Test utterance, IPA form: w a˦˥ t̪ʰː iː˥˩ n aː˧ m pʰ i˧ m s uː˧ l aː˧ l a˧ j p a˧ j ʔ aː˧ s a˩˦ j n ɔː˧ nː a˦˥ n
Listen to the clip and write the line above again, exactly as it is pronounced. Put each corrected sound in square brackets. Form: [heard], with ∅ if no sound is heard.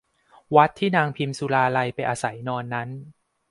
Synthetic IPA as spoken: w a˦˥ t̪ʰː iː˥˩ n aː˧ [ŋ] pʰ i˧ m s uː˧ l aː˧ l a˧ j p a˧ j ʔ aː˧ s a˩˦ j n ɔː˧ nː a˦˥ n